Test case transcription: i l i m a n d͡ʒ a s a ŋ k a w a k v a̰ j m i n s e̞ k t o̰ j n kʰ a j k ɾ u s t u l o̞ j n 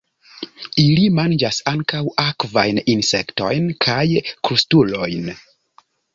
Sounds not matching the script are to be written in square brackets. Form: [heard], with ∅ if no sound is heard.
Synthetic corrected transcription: i l i m a n d͡ʒ a s a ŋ k a w a k v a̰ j [n] i n s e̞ k t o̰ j n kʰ a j k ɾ u s t u l o̞ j n